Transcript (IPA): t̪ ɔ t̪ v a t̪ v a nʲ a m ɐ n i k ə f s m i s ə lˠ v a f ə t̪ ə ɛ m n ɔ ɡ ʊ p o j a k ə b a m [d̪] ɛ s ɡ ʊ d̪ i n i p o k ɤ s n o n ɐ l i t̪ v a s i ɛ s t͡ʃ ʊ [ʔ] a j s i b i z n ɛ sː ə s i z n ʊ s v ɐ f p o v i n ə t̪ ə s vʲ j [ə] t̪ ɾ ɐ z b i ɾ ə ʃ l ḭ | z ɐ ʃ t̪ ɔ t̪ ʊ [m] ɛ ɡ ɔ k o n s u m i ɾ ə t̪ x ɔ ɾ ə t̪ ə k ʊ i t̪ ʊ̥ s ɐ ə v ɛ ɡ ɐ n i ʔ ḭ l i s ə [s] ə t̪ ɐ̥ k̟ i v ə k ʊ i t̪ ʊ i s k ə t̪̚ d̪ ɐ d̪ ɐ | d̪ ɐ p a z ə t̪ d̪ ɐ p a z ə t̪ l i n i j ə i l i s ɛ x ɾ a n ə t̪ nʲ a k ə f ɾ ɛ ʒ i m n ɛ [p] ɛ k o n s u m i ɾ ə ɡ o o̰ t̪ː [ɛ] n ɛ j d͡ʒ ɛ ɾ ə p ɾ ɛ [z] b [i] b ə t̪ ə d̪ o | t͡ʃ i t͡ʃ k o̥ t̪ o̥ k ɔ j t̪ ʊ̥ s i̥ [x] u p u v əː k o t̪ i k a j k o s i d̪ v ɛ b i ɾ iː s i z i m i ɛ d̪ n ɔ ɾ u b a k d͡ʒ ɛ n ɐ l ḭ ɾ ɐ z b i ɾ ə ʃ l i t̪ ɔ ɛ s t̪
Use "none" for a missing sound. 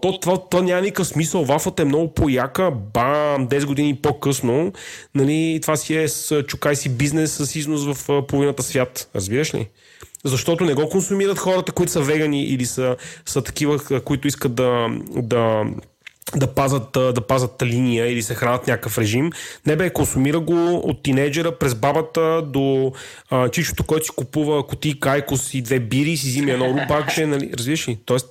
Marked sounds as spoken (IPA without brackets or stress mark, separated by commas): d̪, k, a, n, s, b, i, z, a, k